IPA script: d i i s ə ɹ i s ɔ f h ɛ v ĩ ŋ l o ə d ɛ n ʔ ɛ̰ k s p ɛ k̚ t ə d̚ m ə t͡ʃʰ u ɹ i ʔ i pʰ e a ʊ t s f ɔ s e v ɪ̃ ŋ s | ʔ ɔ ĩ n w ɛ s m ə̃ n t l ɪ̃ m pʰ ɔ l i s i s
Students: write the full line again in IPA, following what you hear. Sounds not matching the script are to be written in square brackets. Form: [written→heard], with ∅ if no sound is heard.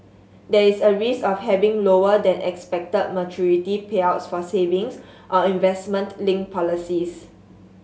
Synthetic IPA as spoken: d [i→ɛ] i s ə ɹ i s ɔ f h ɛ v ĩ ŋ l o ə d [ɛ→ɛ̃] n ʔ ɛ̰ k s p ɛ k̚ t ə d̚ m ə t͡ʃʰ u ɹ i [ʔ→t] i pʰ e a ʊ t s f ɔ s e v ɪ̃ ŋ s | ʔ ɔ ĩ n [w→v] ɛ s m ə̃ n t l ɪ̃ [m→ŋ] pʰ ɔ l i s i s